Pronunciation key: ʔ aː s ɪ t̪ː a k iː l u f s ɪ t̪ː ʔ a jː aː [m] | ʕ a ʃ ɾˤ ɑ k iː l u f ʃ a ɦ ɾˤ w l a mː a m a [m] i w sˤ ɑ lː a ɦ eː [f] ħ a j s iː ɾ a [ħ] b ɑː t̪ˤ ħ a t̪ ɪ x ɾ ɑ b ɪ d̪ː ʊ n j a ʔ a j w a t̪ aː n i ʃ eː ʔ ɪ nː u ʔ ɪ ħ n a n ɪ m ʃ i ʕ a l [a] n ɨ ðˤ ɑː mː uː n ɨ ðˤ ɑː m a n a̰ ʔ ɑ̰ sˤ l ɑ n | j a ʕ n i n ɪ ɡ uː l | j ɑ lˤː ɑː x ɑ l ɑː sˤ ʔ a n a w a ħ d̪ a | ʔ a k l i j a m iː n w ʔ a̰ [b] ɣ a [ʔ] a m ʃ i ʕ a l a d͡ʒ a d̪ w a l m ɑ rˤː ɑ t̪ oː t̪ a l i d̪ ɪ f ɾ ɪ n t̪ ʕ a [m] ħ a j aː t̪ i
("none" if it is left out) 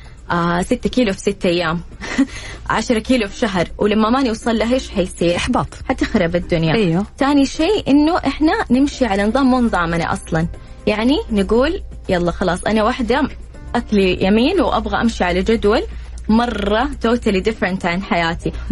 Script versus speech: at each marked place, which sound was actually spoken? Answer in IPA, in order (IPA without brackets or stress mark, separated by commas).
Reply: m, n, ʃ, ħ, a, b, ʔ, n